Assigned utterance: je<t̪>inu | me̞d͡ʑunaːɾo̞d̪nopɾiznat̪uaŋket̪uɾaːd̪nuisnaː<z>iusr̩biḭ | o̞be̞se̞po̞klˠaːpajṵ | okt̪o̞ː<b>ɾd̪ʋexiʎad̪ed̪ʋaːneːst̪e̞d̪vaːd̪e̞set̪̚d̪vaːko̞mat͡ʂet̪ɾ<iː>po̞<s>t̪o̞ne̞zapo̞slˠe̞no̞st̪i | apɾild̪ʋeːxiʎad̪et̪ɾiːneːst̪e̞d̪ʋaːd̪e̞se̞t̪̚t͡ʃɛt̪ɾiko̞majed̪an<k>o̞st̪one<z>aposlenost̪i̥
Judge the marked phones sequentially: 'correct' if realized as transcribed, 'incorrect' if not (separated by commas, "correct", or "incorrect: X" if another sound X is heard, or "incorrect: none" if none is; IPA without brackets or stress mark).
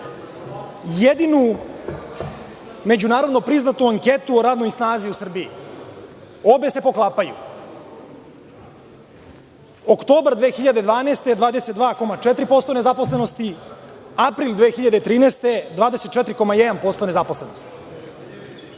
incorrect: d̪, correct, correct, incorrect: i, correct, incorrect: p, correct